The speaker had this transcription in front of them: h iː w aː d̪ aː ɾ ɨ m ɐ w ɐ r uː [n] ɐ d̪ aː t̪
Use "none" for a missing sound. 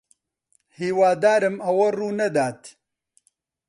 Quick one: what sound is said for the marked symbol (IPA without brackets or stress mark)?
n